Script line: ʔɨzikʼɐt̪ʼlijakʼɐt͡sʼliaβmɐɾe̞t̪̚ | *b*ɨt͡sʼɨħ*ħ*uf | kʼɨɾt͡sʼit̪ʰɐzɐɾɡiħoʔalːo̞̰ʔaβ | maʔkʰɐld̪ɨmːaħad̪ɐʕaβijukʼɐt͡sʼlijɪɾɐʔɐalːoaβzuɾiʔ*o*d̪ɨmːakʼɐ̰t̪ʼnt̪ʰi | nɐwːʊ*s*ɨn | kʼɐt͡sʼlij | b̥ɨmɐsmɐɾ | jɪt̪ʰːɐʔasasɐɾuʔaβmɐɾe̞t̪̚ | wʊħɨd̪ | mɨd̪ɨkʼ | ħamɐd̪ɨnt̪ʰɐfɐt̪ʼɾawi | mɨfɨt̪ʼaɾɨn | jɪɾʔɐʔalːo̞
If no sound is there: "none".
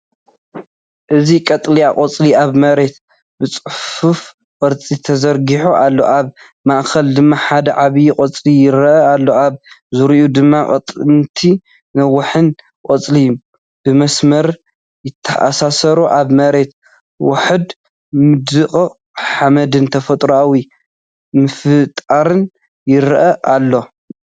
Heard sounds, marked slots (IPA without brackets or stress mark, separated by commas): b, f, u, ħ